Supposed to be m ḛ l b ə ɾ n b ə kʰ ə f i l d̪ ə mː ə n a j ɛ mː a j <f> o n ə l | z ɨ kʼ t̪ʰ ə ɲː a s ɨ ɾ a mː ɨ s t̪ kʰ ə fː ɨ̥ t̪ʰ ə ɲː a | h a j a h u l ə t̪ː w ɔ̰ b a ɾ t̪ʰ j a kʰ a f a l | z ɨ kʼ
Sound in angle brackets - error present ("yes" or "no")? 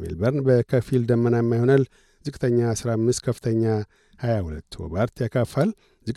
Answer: yes